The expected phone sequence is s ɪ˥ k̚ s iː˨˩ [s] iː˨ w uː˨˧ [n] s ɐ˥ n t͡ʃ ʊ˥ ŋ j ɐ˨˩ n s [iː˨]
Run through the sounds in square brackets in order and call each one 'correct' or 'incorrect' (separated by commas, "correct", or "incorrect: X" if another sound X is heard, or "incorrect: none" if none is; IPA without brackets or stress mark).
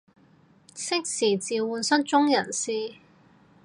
incorrect: t͡s, correct, incorrect: iː˥